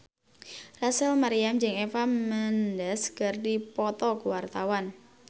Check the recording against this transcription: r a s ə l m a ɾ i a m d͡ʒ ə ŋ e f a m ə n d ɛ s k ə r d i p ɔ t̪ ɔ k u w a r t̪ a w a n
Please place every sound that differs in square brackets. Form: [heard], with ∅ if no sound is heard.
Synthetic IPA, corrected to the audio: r a s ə l m a ɾ i a m d͡ʒ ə ŋ e f a m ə n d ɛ s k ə r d i p ɔ t̪ ɔ k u w a r t̪ a w a n